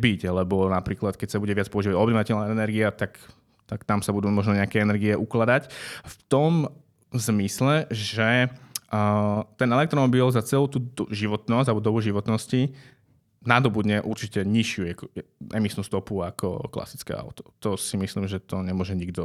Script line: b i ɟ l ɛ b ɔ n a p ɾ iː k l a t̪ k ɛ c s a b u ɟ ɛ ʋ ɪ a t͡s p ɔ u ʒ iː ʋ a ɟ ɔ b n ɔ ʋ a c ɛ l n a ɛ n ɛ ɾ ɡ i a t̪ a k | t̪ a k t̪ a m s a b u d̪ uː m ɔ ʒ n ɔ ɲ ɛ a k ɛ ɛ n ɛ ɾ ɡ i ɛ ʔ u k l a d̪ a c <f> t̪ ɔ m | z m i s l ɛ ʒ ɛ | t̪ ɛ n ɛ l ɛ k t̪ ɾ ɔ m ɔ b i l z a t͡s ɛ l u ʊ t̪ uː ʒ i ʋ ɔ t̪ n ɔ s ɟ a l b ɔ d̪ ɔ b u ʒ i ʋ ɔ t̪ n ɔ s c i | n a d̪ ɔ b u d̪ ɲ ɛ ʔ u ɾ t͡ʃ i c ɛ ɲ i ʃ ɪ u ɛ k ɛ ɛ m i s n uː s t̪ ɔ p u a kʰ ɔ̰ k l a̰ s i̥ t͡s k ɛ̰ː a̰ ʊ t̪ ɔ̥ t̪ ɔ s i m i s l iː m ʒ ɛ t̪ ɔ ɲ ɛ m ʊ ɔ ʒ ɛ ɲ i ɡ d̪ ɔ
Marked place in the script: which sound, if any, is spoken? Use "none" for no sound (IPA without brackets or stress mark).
f